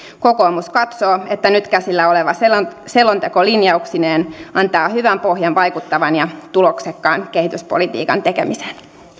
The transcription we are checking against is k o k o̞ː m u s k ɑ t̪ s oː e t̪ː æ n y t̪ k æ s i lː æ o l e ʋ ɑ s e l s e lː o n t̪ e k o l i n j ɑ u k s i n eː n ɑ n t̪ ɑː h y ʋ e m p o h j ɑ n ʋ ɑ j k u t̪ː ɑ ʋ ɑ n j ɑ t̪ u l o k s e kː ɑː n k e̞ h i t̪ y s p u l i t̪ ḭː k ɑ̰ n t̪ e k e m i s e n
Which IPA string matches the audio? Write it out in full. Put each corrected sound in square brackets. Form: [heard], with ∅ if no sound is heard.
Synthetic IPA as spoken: k o k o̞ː m u s k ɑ t̪ s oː e t̪ː æ n y t̪ k æ s i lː æ o l e ʋ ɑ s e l s e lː o n t̪ e k o l i n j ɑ u k s i n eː n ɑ n t̪ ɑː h y ʋ [æ] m p o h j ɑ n ʋ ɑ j k u t̪ː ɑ ʋ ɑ n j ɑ t̪ u l o k s e kː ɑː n k e̞ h i t̪ y s p [o] l i t̪ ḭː k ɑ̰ n t̪ e k e m i s e n